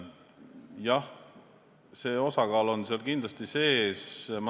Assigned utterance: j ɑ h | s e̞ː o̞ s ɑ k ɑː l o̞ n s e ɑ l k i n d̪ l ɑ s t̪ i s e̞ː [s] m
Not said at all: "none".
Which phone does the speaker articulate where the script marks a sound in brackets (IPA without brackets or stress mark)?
s